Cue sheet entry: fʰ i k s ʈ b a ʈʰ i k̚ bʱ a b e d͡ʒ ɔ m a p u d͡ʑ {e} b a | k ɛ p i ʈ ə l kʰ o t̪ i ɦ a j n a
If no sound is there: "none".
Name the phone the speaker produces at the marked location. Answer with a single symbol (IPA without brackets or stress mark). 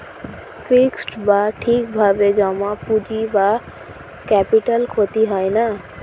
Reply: i